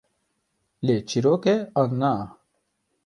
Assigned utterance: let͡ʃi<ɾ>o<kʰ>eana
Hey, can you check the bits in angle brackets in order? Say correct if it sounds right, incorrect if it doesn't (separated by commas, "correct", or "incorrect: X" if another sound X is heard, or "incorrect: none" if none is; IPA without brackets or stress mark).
correct, incorrect: k